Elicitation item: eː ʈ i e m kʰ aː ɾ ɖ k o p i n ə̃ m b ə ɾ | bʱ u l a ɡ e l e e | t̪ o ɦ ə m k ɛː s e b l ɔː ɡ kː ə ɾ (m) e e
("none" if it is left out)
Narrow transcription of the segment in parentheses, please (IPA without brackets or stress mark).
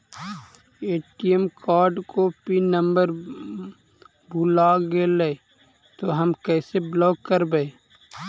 b